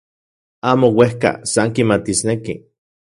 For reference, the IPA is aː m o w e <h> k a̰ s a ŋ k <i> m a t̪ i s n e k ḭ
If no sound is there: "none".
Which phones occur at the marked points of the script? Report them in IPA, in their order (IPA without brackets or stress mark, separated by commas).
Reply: h, i